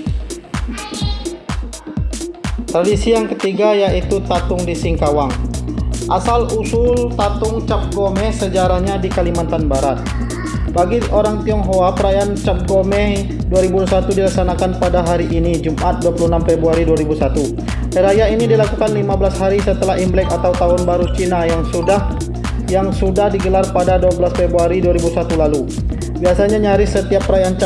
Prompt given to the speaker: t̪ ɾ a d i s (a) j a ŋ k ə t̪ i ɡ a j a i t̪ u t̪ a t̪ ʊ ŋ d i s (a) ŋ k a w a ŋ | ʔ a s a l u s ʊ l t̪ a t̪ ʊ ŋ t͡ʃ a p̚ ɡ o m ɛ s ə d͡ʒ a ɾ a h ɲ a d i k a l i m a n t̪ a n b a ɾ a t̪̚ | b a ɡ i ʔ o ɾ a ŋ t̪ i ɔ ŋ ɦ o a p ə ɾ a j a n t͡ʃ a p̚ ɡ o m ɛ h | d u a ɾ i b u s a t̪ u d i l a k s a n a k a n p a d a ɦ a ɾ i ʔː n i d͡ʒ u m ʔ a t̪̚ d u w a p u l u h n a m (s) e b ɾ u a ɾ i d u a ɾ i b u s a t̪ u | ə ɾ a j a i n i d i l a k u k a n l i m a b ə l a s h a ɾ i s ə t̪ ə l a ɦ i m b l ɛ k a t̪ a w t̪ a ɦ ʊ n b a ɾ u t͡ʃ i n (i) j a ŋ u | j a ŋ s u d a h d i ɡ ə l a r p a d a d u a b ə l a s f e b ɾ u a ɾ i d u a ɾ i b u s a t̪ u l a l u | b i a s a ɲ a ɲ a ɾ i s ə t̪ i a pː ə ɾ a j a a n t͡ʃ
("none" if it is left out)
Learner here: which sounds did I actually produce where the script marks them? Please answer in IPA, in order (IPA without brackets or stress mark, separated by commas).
i, i, f, a